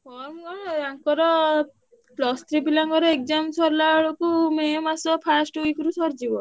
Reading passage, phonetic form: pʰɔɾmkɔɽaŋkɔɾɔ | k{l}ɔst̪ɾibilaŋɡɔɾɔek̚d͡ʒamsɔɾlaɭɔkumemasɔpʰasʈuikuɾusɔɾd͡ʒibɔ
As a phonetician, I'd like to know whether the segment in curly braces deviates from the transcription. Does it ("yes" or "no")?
no